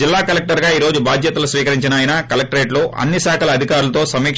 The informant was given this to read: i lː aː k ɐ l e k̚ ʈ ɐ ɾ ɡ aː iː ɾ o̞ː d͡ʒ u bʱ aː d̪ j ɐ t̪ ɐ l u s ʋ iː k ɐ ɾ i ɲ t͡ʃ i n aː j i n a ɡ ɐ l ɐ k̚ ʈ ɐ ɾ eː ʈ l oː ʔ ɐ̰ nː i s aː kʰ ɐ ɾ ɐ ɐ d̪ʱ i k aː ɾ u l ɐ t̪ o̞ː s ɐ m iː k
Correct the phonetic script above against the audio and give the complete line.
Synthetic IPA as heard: i lː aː k ɐ l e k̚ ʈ ɐ ɾ ɡ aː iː ɾ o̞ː d͡ʒ u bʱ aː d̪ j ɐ t̪ ɐ l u s ʋ iː k ɐ ɾ i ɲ t͡ʃ i n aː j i n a k ɐ l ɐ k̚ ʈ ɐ ɾ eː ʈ l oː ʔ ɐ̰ nː i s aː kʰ ɐ l ɐ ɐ d̪ʱ i k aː ɾ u l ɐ t̪ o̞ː s ɐ m iː k